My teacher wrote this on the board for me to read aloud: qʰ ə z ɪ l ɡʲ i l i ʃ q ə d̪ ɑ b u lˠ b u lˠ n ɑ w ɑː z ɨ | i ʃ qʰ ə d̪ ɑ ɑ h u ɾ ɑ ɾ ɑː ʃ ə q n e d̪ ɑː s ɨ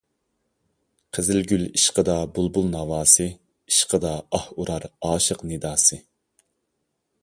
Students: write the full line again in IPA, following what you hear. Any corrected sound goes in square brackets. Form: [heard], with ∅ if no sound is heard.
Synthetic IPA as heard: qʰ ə z ɪ l ɡʲ [y] l i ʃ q ə d̪ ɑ b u lˠ b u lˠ n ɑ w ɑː [s] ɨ | i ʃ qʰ ə d̪ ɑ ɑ h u ɾ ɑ ɾ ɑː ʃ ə q n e d̪ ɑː s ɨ